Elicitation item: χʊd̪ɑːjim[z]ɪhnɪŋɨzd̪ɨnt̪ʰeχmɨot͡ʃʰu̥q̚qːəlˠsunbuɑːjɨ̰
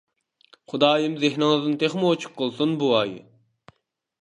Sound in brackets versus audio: correct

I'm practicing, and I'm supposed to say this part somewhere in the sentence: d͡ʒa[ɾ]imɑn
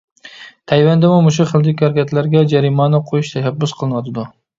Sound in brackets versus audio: correct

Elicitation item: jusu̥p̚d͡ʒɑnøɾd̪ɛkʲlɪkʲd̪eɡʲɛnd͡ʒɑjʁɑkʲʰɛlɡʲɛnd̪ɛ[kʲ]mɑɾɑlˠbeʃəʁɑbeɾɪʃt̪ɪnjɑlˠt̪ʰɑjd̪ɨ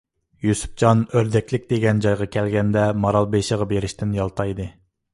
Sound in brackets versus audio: incorrect: none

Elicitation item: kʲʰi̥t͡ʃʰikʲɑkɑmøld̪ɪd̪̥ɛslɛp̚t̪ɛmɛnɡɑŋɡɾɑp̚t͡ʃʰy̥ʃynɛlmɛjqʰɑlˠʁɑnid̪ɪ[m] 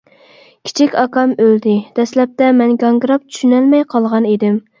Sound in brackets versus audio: correct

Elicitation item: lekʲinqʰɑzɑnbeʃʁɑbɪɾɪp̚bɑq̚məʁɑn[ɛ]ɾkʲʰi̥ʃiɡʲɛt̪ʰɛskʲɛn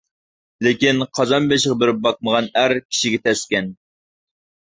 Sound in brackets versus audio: incorrect: æ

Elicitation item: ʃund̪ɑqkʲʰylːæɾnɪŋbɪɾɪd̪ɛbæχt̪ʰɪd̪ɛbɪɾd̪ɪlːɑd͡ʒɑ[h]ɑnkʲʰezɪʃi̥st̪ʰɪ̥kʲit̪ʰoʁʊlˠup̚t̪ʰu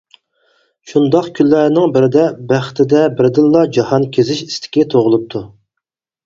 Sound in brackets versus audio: correct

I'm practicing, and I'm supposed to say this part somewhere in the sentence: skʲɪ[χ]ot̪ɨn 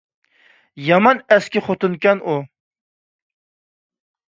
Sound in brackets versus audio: correct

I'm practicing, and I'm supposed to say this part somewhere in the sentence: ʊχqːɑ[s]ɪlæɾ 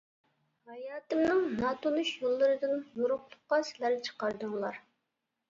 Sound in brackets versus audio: correct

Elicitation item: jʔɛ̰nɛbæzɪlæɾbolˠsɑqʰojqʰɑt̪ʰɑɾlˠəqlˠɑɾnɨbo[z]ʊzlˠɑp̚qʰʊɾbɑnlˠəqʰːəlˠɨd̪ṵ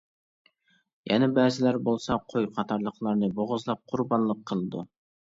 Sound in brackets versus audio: incorrect: ʁ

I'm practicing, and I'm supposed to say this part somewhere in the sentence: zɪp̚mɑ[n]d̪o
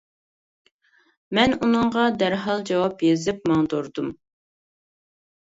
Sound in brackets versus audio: incorrect: ŋ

